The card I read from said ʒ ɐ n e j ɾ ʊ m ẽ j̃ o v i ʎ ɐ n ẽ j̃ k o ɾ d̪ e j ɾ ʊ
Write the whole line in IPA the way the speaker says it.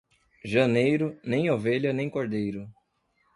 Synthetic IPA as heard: ʒ ɐ n e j ɾ ʊ n ẽ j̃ o v e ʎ ɐ n ẽ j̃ k o ɾ d̪ e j ɾ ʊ